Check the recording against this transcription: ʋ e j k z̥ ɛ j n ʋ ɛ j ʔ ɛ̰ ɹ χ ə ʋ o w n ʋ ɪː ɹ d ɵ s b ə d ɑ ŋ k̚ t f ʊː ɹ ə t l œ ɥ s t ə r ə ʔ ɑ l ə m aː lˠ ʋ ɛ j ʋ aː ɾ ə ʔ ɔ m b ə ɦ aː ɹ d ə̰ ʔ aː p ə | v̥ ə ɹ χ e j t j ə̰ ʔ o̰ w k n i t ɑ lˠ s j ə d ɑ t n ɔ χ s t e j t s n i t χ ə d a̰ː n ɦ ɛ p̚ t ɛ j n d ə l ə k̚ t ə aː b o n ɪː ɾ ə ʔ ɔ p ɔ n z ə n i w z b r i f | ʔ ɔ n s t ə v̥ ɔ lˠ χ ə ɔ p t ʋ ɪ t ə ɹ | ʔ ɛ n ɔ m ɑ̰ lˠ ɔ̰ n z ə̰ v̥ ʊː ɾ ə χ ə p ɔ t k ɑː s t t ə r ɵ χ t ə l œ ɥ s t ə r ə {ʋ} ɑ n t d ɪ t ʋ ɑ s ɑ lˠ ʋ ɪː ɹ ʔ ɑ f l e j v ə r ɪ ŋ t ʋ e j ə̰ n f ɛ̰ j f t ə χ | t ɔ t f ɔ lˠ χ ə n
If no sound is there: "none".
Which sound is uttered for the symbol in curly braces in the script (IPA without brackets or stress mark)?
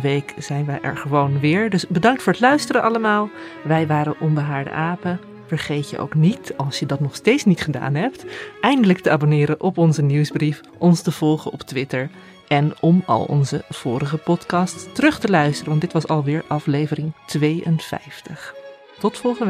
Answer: ʋ